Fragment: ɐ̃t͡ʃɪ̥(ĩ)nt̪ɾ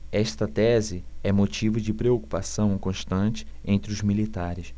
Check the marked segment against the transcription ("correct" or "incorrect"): incorrect